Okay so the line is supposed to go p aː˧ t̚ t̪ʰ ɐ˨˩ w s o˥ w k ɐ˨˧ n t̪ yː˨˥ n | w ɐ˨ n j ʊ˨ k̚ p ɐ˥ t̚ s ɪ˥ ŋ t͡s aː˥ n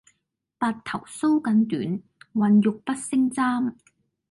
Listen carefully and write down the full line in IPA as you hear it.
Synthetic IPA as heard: p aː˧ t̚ t̪ʰ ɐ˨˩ w s o˥ w k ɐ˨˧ n t̪ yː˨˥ n | w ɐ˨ n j ʊ˨ k̚ p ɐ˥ t̚ s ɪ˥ ŋ t͡s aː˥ m